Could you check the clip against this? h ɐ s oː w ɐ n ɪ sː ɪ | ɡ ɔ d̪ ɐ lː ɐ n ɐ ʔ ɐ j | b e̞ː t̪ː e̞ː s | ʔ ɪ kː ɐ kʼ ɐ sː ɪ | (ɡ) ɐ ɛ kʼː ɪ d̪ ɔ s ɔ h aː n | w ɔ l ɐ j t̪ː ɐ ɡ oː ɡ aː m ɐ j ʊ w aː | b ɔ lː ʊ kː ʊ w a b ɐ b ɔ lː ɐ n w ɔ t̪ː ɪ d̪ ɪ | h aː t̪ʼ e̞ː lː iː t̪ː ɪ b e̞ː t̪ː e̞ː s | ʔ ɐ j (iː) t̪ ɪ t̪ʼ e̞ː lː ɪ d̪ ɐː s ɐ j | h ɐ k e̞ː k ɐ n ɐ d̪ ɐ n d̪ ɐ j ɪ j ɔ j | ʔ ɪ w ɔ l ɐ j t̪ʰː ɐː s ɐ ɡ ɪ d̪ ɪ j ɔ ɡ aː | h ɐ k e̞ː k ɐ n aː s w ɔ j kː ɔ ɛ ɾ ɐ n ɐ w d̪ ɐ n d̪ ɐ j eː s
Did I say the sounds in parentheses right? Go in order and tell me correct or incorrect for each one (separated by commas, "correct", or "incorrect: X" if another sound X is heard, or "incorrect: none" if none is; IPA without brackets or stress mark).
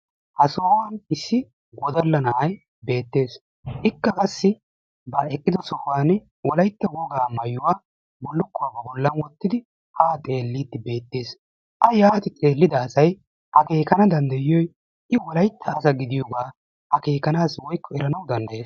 incorrect: b, incorrect: aː